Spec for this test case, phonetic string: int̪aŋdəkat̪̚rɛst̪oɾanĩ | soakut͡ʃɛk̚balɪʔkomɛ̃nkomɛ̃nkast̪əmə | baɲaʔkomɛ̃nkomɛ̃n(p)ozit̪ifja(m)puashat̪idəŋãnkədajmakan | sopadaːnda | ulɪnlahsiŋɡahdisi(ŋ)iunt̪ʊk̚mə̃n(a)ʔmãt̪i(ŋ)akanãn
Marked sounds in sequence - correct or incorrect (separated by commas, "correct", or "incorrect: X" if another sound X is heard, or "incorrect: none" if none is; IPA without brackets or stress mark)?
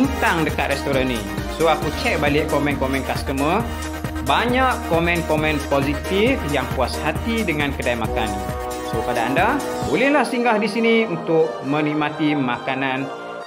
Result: correct, incorrect: ŋ, incorrect: n, incorrect: i, incorrect: m